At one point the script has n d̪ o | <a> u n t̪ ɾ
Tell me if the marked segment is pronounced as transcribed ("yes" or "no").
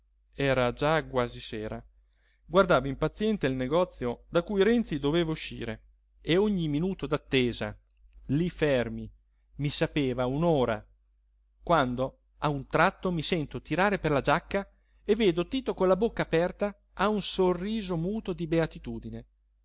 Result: yes